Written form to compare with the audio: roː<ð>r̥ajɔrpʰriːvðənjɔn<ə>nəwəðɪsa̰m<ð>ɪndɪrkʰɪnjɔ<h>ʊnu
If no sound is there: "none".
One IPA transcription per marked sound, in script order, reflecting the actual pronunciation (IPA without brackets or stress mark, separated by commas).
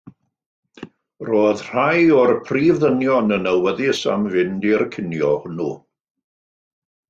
ð, ə, v, h